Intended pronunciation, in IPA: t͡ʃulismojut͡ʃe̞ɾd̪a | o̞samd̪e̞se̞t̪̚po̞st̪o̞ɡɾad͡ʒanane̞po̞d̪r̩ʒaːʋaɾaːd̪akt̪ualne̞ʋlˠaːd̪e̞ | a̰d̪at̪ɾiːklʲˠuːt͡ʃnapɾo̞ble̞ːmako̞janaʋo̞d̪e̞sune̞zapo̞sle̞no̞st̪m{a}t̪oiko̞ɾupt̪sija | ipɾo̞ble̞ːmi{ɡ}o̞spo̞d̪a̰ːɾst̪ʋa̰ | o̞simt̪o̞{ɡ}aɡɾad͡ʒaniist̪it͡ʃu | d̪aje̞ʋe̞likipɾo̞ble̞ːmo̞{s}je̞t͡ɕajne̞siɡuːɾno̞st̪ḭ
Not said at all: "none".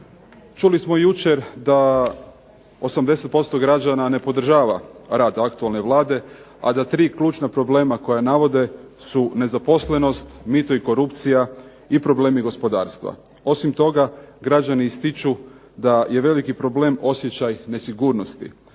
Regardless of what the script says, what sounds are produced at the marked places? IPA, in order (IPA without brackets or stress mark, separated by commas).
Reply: i, ɡ, ɡ, s